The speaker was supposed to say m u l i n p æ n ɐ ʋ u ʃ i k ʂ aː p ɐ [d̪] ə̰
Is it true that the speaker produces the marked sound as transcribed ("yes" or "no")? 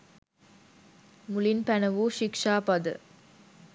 yes